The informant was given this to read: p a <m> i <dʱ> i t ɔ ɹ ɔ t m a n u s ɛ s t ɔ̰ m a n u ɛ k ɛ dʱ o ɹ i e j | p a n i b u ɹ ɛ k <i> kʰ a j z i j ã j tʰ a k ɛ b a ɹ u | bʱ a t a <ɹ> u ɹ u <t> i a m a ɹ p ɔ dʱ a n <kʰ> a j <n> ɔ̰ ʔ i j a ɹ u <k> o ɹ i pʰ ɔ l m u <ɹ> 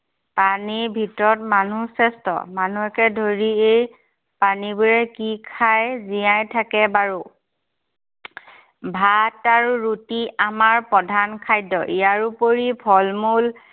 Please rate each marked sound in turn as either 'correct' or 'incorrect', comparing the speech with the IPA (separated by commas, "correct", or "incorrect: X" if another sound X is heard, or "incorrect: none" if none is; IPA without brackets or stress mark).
incorrect: n, incorrect: bʱ, correct, correct, correct, correct, incorrect: d, incorrect: p, incorrect: l